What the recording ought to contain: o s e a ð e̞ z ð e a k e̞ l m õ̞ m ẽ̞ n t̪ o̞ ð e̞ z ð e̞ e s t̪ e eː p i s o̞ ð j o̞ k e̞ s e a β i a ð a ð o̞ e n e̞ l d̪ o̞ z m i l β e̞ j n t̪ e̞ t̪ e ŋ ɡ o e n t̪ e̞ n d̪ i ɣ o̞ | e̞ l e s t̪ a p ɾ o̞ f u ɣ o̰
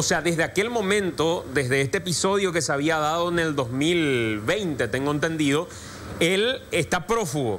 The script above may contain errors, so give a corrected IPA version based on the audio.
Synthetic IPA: o s e a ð e̞ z ð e a k e̞ l m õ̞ m ẽ̞ n t̪ o̞ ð e̞ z ð e̞ e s t̪ e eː p i s o̞ ð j o̞ k e̞ s e a β i a ð a ð o̞ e n e̞ l d̪ o̞ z m i l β e̞ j n t̪ e̞ t̪ e ŋ ɡ o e n t̪ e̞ n d̪ i ð o̞ | e̞ l e s t̪ a p ɾ o̞ f u ɣ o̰

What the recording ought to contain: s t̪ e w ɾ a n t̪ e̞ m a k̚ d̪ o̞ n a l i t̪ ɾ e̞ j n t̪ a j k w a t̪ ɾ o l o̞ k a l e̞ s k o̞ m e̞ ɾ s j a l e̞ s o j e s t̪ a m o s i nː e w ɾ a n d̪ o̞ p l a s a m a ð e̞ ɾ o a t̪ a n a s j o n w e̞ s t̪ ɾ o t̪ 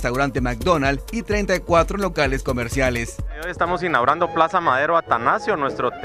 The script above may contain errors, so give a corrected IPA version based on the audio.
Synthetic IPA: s t̪ a w ɾ a n t̪ e̞ m a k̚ d̪ o̞ n a l i t̪ ɾ e̞ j n t̪ a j k w a t̪ ɾ o l o̞ k a l e̞ s k o̞ m e̞ ɾ s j a l e̞ s o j e s t̪ a m o s i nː a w ɾ a n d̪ o̞ p l a s a m a ð e̞ ɾ o a t̪ a n a s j o n w e̞ s t̪ ɾ o t̪

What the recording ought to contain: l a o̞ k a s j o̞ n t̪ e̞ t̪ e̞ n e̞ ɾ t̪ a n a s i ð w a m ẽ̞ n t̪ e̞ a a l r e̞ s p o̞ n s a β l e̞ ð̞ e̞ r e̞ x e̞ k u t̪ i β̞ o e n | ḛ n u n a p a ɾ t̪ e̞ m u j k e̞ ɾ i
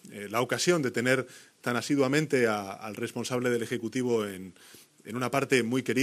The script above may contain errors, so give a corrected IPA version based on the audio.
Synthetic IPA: l a o̞ k a s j o̞ n d̪ e̞ t̪ e̞ n e̞ ɾ t̪ a n a s i ð w a m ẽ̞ n t̪ e̞ a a l r e̞ s p o̞ n s a β l e̞ ð̞ e̞ l e̞ x e̞ k u t̪ i β̞ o e n | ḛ n u n a p a ɾ t̪ e̞ m u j k e̞ ɾ i

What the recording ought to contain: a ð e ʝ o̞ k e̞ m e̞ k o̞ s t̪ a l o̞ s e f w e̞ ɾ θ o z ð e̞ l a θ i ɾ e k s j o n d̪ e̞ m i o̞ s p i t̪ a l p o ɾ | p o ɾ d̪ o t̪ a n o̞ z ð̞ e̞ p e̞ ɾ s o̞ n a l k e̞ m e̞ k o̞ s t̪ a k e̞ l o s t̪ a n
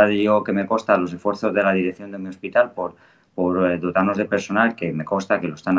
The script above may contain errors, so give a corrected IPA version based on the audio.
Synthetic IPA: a ð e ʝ o̞ k e̞ m e̞ k o̞ s t̪ a l o̞ s e f w e̞ ɾ θ o z ð e̞ l a ð i ɾ e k θ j o n d̪ e̞ m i o̞ s p i t̪ a l p o ɾ | p o ɾ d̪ o t̪ a n o̞ z ð̞ e̞ p e̞ ɾ s o̞ n a l k e̞ m e̞ k o̞ s t̪ a k e̞ l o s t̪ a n

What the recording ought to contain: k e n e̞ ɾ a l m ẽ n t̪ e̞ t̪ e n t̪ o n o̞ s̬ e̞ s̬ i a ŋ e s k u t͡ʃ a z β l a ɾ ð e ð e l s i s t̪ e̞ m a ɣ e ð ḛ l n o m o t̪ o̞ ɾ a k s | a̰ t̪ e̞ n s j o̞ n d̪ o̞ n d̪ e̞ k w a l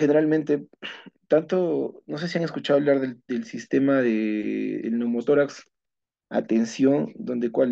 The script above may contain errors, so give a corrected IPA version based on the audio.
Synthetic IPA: x e n e̞ ɾ a l m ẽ n t̪ e̞ t̪ a n t̪ o n o̞ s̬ e̞ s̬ i a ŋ e s k u t͡ʃ a ð β l a ɾ ð e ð e l s i s t̪ e̞ m a ð e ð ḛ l n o m o t̪ o̞ ɾ a k s | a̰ t̪ e̞ n s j o̞ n d̪ o̞ n d̪ e̞ k w a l

